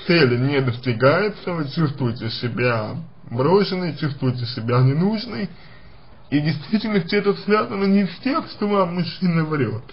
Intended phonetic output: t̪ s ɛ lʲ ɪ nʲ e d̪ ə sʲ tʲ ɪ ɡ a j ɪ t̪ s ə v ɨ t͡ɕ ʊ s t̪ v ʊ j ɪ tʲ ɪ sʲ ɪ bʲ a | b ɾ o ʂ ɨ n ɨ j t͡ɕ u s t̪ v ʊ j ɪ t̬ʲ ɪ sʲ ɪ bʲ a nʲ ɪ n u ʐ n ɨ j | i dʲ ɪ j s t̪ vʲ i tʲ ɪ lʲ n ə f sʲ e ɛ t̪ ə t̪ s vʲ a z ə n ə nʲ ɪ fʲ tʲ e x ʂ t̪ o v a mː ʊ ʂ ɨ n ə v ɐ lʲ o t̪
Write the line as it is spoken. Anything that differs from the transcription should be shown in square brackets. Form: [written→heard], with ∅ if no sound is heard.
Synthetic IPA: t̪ s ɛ lʲ ɪ nʲ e d̪ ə sʲ tʲ ɪ ɡ a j ɪ t̪ s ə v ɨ t͡ɕ [ʊ→u] s t̪ v ʊ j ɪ tʲ ɪ sʲ ɪ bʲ a | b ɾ o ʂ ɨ n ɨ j t͡ɕ u s t̪ v ʊ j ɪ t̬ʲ ɪ sʲ ɪ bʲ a nʲ ɪ n u ʐ n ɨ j | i dʲ ɪ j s t̪ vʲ i tʲ ɪ lʲ n ə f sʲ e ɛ t̪ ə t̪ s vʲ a z ə n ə nʲ ɪ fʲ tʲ e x ʂ t̪ o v a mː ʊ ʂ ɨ n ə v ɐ [lʲ→ɾʲ] o t̪